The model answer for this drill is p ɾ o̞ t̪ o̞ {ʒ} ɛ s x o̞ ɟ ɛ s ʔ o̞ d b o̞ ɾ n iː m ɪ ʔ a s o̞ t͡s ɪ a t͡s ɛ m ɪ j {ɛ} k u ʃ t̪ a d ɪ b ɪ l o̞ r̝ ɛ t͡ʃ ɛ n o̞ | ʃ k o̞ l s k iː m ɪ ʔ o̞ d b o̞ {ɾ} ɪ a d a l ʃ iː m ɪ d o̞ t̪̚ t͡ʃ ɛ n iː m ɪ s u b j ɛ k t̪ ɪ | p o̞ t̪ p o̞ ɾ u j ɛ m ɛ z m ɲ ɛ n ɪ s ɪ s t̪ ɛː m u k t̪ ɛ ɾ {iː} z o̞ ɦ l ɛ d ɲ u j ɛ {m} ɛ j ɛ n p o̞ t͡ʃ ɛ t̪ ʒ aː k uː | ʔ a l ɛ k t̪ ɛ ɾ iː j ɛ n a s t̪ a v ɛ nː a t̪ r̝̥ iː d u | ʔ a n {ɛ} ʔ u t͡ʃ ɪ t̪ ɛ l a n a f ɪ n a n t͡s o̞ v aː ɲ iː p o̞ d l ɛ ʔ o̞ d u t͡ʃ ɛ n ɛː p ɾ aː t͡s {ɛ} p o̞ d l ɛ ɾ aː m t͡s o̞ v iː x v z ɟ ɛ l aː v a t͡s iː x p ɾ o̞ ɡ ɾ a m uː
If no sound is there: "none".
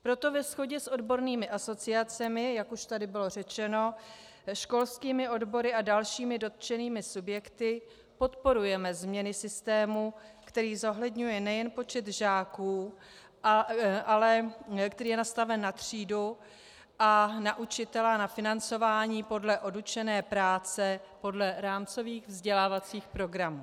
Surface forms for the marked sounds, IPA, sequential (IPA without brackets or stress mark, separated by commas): v, a, ɾ, iː, n, a, ɛ